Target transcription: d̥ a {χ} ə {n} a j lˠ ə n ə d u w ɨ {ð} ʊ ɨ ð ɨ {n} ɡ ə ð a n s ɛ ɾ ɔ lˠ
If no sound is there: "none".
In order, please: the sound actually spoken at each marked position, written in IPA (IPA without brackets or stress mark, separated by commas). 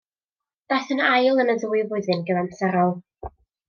θ, n, v, n